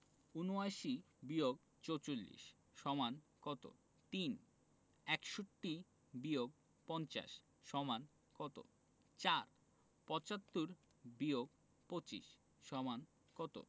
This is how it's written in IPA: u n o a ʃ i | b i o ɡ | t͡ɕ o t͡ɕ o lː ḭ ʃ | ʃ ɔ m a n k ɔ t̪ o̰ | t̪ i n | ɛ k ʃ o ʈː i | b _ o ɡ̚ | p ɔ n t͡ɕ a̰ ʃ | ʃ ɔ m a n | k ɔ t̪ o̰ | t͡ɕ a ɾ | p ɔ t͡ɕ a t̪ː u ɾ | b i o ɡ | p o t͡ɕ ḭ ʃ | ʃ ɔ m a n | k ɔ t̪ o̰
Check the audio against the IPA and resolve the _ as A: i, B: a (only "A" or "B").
A